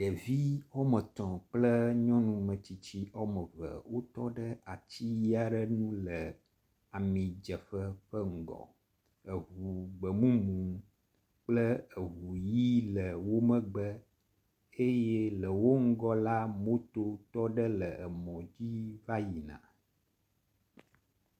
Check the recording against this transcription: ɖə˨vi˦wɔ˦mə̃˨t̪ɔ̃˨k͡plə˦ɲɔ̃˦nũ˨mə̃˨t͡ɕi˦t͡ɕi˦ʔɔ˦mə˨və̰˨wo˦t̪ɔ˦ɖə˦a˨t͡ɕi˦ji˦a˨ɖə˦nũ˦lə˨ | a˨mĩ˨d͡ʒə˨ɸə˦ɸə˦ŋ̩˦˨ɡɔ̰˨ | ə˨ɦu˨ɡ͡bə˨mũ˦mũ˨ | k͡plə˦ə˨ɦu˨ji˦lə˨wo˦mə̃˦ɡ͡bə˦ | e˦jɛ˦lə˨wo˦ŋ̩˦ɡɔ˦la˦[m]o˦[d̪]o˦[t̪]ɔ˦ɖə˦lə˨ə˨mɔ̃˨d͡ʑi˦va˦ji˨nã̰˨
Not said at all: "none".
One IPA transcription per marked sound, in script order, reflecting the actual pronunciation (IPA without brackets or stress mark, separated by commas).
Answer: m, t̪, t̪